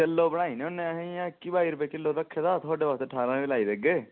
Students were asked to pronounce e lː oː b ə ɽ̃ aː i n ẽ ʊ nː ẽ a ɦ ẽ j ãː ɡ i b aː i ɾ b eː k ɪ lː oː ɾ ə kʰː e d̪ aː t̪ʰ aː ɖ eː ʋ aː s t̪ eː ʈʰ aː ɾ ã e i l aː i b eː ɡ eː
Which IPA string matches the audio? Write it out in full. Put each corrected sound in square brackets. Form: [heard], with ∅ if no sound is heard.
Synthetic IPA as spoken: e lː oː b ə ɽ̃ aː i n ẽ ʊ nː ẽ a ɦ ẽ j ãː [k] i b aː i ɾ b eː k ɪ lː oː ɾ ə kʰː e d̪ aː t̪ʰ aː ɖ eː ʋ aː s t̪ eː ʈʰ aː ɾ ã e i l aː i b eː ɡ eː